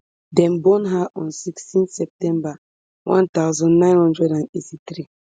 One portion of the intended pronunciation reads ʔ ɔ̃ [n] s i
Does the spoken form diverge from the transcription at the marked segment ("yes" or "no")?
no